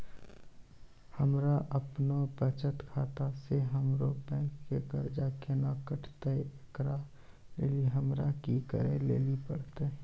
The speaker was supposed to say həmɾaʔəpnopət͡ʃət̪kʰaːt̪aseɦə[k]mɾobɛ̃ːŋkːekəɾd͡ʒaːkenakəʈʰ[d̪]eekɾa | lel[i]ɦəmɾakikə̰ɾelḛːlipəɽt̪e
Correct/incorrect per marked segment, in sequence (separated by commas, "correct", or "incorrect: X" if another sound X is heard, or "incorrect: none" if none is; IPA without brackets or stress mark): incorrect: none, incorrect: t̪, correct